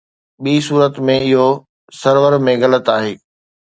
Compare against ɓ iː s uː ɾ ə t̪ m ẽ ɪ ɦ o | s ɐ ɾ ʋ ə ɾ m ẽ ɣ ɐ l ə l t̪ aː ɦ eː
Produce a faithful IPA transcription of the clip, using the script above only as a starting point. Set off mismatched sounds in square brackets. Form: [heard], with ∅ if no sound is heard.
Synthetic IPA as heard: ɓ iː s uː ɾ ə t̪ m ẽ ɪ ɦ o | s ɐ ɾ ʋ ə ɾ m ẽ ɣ ɐ l ə [∅] t̪ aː ɦ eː